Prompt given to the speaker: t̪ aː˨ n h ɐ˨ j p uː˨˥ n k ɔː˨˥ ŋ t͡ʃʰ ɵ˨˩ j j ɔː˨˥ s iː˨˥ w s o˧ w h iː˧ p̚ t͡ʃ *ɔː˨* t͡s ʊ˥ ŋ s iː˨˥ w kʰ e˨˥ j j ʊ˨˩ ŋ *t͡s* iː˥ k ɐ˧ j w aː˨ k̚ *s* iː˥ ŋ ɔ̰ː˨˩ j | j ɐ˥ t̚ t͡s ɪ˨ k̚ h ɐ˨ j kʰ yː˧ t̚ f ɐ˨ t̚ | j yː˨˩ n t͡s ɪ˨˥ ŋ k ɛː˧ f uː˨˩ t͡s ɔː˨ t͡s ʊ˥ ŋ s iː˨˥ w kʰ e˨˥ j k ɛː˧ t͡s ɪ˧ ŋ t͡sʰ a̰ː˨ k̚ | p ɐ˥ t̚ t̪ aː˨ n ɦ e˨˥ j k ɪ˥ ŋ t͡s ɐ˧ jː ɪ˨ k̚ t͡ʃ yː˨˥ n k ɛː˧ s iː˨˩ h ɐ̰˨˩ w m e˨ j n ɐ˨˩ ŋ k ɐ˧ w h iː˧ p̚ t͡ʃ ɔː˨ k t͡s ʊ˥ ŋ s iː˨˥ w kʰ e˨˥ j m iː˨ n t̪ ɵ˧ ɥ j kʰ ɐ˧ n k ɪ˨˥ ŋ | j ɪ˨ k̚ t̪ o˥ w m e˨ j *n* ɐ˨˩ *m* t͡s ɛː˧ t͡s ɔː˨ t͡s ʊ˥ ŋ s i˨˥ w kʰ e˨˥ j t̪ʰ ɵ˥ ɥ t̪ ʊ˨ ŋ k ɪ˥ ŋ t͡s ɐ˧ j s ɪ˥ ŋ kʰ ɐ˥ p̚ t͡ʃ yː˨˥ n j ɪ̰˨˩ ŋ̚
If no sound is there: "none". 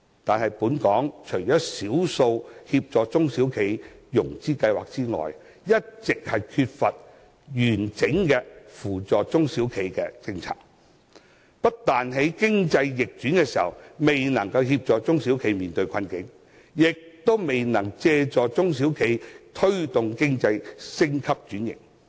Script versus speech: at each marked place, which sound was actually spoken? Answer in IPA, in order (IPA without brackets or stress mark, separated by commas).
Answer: ɔː˨, t͡s, t͡s, n, ŋ